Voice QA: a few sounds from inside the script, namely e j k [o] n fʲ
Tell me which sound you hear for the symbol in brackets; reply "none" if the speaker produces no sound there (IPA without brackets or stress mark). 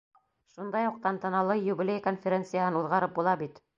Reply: o